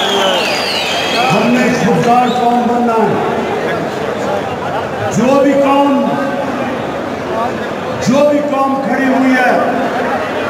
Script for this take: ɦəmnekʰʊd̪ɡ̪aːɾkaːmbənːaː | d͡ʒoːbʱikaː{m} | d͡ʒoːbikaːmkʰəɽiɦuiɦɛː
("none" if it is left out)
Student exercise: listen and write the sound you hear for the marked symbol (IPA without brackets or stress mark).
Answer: m